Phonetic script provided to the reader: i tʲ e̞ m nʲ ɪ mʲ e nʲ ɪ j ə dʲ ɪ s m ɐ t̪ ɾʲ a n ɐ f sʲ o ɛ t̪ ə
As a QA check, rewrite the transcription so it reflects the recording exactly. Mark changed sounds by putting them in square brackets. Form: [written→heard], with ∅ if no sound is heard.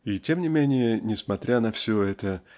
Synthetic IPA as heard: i tʲ e̞ m nʲ ɪ mʲ e nʲ ɪ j ə [dʲ→nʲ] ɪ s m ɐ t̪ ɾʲ a n ɐ f sʲ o ɛ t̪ ə